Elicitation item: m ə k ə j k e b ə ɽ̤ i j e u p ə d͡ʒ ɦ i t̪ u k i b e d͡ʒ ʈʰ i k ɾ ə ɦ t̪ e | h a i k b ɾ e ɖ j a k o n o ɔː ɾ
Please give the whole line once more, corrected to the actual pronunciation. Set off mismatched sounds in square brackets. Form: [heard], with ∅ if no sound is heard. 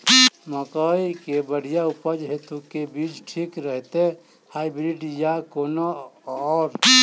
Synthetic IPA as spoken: m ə k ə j k e b ə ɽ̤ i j [a] u p ə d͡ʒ ɦ [e] t̪ u k [e] b [i] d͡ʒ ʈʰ i k ɾ ə ɦ t̪ e | h a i [∅] b ɾ [i] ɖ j a k o n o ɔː ɾ

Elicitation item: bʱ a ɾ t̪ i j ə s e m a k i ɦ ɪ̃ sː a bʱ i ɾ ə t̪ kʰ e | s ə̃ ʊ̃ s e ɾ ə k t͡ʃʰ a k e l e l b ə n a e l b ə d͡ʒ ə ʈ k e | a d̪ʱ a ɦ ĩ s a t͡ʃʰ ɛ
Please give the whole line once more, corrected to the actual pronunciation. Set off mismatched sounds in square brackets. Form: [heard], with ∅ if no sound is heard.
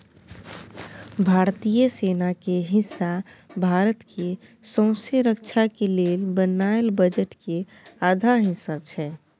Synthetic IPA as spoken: bʱ a ɾ t̪ i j ə s e [n] a k [e] ɦ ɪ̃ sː a bʱ [a] ɾ ə t̪ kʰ e | s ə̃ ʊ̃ s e ɾ ə k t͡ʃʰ a k e l e l b ə n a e l b ə d͡ʒ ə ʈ k e | a d̪ʱ a ɦ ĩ s a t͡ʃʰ ɛ

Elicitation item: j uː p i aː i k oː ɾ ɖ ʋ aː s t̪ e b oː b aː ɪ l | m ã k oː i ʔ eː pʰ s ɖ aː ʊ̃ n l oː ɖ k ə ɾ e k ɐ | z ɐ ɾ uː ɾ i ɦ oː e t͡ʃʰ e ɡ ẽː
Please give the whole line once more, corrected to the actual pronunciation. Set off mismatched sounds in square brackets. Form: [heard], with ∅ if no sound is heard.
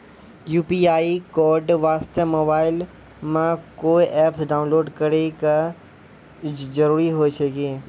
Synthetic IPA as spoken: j uː p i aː i k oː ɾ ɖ ʋ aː s t̪ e [m] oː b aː ɪ l | m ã k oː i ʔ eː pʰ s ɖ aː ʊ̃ n l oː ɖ k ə ɾ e k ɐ | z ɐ ɾ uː ɾ i ɦ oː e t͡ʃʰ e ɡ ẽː

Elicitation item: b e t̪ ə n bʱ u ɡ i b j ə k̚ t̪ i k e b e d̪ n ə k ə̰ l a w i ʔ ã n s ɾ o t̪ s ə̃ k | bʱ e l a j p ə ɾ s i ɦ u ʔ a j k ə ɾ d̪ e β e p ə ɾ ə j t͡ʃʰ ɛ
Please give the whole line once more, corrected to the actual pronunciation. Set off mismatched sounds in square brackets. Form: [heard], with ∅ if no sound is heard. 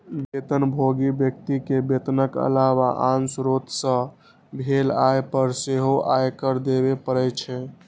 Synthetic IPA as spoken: b e t̪ ə n bʱ [o] ɡ i b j ə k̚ t̪ i k e b e [t̪] n ə k ə̰ l a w [a] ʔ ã n s ɾ o t̪ s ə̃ [∅] | bʱ e l a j p ə ɾ s [e] ɦ [o] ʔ a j k ə ɾ d̪ e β e p ə ɾ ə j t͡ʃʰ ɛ

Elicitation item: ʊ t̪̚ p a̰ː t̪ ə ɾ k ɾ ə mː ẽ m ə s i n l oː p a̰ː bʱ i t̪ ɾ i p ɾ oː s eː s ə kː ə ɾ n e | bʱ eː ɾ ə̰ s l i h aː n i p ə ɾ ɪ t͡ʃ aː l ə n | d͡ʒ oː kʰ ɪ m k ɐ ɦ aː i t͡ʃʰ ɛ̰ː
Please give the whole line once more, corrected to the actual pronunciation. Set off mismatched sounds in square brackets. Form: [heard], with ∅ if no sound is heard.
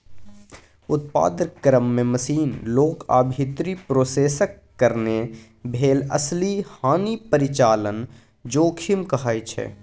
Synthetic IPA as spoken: ʊ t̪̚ p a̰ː [d̪] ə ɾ k ɾ ə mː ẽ m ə s [iː] n l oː [k] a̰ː bʱ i t̪ ɾ i p ɾ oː s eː s ə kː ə ɾ n e | bʱ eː [l] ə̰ s l i h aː n i p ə ɾ ɪ t͡ʃ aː l ə n | d͡ʒ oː kʰ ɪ m k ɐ ɦ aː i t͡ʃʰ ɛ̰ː

